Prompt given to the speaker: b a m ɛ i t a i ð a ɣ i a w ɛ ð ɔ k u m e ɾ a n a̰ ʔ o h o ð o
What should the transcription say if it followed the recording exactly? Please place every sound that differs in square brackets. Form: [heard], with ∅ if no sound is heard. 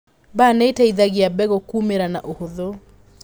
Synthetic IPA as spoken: b a [n] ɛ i t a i ð a ɣ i a [b] ɛ [ɣ] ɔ k u m e ɾ a n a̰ ʔ o h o ð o